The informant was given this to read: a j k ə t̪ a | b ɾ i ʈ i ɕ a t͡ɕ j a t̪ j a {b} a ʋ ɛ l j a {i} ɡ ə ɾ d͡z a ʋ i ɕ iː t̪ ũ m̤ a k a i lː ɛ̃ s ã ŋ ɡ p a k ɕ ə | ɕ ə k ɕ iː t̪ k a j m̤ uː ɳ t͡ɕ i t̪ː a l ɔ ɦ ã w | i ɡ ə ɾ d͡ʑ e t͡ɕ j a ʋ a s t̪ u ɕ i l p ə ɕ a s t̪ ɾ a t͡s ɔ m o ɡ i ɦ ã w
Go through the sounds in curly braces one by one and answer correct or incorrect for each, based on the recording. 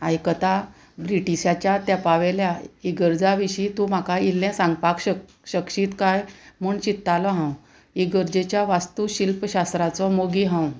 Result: incorrect: p, correct

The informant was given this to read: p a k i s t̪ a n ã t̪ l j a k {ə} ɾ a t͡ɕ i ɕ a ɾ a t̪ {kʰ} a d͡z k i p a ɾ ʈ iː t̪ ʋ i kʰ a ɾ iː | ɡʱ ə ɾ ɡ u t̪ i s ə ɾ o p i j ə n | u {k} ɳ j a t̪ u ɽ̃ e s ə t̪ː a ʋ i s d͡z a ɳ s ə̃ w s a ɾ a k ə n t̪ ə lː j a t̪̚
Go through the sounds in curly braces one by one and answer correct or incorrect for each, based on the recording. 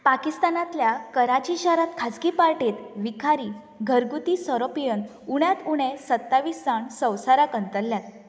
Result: correct, correct, incorrect: none

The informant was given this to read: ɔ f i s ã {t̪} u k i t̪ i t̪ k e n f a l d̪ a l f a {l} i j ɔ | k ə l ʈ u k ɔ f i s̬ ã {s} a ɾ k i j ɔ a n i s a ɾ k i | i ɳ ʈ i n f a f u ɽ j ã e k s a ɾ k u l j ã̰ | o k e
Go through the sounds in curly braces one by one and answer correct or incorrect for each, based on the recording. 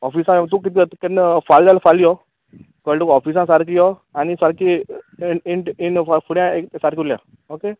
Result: correct, correct, correct

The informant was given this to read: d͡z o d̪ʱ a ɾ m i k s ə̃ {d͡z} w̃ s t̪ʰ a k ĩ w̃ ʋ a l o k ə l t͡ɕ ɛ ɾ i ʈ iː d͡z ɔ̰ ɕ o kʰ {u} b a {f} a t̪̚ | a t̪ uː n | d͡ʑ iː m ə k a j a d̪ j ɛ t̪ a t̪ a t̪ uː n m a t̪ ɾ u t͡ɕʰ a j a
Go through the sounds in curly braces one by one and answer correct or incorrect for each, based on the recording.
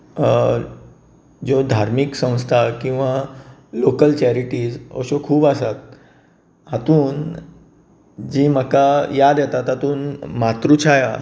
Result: incorrect: none, incorrect: uː, incorrect: s

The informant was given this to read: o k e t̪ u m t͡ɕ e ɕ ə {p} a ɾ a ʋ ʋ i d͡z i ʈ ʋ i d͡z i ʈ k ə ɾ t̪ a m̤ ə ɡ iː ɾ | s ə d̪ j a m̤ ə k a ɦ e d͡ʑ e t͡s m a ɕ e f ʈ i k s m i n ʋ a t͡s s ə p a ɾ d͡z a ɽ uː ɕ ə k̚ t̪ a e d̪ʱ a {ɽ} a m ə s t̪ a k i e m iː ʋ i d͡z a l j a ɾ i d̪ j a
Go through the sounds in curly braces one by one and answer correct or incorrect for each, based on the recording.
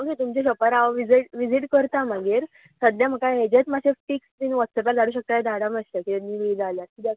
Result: correct, correct

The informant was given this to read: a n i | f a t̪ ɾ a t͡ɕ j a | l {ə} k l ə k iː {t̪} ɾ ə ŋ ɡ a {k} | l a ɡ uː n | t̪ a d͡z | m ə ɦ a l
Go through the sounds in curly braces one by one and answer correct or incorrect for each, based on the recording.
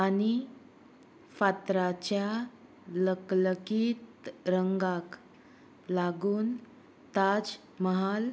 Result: correct, correct, correct

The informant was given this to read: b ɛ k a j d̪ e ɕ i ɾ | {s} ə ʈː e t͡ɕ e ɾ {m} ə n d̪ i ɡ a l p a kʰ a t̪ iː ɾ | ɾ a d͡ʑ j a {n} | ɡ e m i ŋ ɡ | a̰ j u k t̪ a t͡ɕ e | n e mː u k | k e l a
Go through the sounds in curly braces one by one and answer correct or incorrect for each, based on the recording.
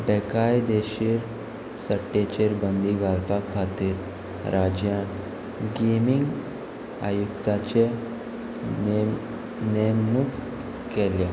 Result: correct, incorrect: b, correct

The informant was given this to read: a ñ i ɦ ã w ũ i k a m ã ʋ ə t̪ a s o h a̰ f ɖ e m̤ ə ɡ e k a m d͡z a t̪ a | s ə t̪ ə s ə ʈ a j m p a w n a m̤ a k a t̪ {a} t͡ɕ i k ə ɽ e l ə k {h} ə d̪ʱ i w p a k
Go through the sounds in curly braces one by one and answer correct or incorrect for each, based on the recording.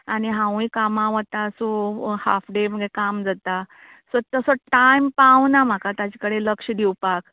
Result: correct, incorrect: ʂ

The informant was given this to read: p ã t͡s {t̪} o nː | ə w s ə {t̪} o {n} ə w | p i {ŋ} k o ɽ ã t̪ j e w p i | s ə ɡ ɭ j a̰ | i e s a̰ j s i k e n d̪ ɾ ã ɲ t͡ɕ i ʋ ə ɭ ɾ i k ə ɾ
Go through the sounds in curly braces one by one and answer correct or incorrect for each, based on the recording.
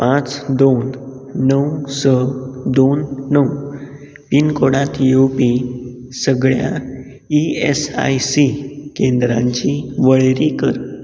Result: incorrect: d̪, incorrect: d̪, incorrect: nː, incorrect: n

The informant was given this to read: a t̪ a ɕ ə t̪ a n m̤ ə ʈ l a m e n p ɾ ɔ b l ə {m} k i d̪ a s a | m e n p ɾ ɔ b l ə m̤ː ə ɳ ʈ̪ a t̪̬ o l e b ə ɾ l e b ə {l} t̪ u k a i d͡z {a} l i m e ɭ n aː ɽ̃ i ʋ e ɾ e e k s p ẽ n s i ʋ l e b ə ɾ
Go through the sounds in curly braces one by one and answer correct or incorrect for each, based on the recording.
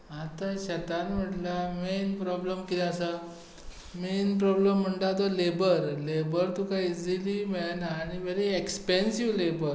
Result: correct, incorrect: ɾ, incorrect: i

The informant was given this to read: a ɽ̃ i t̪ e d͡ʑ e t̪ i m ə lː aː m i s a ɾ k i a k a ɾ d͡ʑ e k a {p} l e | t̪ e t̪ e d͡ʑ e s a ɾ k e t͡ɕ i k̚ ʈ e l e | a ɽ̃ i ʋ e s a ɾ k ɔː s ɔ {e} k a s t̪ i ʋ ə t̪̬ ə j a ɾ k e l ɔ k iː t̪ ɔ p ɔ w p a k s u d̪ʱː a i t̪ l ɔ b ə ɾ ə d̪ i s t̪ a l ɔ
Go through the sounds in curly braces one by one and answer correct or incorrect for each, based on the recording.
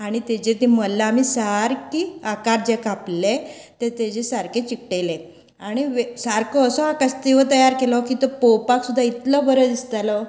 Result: correct, incorrect: a

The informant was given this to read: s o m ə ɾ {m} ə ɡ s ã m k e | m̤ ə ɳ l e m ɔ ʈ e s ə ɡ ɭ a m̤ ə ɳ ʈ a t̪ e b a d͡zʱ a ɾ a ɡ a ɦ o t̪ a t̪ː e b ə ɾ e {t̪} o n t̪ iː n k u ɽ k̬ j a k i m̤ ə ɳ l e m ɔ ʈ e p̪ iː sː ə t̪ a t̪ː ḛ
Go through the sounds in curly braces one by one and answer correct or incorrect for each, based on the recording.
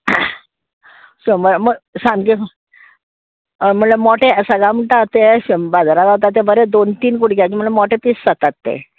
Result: correct, incorrect: d̪

